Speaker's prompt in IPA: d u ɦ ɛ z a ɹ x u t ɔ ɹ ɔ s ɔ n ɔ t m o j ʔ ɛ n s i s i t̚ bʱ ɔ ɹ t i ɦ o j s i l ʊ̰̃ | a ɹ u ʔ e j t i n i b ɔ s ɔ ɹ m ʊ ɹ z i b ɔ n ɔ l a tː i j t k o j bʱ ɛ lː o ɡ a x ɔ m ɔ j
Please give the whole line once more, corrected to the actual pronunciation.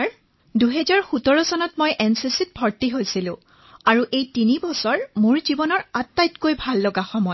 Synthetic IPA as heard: d u ɦ ɛ z a ɹ x u t ɔ ɹ ɔ s ɔ n ɔ t m o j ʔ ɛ n s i s i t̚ bʱ ɔ ɹ t i ɦ o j s i l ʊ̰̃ | a ɹ u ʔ e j t i n i b ɔ s ɔ ɹ m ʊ ɹ z i b ɔ n ɔ ɹ a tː a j t k o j bʱ a lː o ɡ a x ɔ m ɔ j